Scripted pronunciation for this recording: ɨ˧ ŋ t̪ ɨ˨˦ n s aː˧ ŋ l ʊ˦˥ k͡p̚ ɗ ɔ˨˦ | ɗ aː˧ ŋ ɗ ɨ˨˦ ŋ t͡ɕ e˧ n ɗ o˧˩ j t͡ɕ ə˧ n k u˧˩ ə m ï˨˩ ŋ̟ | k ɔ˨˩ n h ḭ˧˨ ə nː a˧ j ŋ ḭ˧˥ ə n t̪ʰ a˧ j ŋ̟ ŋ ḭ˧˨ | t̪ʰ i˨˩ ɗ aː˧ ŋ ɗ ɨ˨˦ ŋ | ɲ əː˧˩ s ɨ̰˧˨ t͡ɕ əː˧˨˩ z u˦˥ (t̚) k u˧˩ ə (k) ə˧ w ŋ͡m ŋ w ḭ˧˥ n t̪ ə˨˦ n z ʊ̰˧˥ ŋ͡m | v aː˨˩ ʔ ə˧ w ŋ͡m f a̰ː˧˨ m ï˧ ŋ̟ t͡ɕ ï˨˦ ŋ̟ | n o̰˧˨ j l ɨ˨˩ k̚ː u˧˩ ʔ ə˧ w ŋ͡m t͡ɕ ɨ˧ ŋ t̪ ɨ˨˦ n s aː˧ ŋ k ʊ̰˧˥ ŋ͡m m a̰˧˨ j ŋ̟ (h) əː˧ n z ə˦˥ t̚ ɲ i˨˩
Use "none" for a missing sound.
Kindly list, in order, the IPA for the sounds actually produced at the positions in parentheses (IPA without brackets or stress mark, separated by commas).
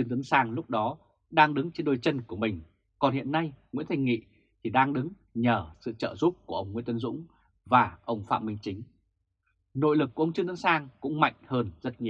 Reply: p̚, ʔ, h